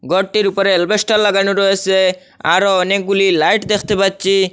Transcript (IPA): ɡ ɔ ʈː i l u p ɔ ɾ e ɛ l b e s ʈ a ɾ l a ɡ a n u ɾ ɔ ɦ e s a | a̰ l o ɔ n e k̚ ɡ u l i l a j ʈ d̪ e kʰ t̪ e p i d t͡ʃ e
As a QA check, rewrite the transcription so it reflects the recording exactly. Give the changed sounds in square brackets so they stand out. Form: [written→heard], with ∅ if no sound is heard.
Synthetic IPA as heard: ɡ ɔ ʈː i [l→ɾ] u p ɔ ɾ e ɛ l b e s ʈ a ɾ l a ɡ a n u ɾ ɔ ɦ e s [a→e] | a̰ [l→ɾ] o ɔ n e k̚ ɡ u l i l a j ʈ d̪ e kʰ t̪ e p [i→a] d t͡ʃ [e→i]